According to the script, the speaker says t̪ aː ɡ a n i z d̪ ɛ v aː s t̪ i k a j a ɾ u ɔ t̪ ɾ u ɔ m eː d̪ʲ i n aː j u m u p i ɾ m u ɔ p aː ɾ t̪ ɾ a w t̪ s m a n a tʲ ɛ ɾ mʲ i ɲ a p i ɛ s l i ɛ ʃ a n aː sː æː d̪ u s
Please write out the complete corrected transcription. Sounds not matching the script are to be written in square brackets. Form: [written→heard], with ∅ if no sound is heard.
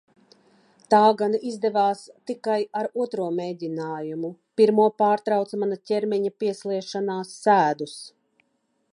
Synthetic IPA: t̪ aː ɡ a n i z d̪ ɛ v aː s t̪ i k a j a ɾ u ɔ t̪ ɾ u ɔ m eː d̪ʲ i n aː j u m u p i ɾ m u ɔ p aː ɾ t̪ ɾ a w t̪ s m a n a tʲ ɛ ɾ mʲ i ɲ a p i ɛ s l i ɛ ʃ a n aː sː æː d̪ u s